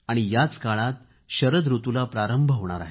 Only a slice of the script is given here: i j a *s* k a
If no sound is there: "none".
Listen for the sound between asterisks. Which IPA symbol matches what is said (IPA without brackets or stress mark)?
t͡s